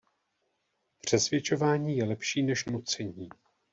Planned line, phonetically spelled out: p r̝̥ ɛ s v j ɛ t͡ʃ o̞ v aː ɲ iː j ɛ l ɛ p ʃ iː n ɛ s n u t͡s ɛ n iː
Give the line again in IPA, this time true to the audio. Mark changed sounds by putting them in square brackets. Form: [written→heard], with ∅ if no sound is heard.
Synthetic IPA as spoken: p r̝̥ ɛ s v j ɛ t͡ʃ o̞ v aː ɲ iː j ɛ l ɛ p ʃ iː n ɛ [s→ʃ] n u t͡s ɛ [n→ɲ] iː